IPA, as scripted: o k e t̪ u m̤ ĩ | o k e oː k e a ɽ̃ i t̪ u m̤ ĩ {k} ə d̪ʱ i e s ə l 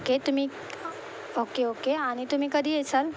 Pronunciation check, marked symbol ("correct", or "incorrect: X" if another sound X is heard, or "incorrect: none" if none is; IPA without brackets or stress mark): correct